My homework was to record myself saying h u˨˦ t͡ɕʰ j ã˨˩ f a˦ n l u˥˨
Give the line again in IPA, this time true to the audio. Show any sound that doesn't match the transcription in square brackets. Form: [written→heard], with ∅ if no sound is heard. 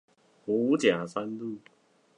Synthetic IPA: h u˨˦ [t͡ɕʰ→t͡ɕ] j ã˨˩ [f→s] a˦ n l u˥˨